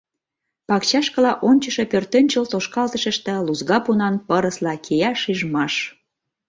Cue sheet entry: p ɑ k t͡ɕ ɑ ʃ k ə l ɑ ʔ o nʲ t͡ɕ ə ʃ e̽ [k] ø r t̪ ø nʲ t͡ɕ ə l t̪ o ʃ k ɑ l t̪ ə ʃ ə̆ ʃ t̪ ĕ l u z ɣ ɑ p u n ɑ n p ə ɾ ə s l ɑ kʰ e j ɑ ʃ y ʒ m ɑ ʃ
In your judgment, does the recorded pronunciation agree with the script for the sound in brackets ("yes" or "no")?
no